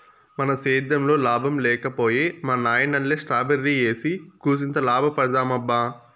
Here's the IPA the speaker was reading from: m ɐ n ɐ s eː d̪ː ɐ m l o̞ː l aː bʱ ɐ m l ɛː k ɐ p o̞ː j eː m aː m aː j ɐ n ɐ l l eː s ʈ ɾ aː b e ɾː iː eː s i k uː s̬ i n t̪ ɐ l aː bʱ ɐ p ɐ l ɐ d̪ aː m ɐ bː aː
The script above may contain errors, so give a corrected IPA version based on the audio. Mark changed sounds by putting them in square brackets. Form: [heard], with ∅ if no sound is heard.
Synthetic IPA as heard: m ɐ n ɐ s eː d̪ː ɐ m l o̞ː l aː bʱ ɐ m l ɛː k ɐ p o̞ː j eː m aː [n] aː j ɐ n ɐ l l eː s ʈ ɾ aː b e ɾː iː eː s i k uː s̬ i n t̪ ɐ l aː bʱ ɐ p ɐ [ɽ] ɐ d̪ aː m ɐ bː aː